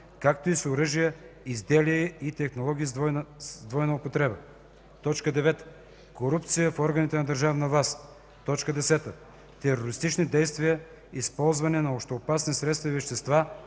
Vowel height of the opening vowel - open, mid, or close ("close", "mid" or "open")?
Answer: open